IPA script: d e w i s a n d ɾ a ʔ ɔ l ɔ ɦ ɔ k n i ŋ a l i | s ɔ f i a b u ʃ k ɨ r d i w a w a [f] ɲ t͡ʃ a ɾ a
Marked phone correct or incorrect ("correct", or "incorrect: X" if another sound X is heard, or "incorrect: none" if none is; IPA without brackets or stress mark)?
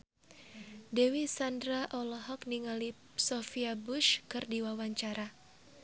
incorrect: none